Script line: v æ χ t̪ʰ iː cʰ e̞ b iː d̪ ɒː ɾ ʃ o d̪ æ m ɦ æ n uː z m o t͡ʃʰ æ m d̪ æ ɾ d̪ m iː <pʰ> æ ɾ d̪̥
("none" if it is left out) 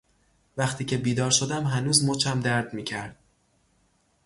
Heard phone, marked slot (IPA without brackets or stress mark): cʰ